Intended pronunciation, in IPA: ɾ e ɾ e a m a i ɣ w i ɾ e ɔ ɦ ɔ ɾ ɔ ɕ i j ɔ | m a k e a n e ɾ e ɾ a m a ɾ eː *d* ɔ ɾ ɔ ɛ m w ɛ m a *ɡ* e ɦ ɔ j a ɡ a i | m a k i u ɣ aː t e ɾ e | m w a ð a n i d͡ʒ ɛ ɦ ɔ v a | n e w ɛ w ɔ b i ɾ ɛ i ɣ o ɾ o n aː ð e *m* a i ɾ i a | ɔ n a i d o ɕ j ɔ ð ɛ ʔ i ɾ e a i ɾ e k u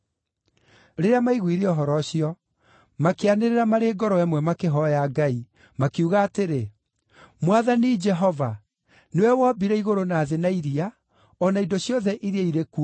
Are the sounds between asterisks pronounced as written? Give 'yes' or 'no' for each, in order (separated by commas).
no, no, no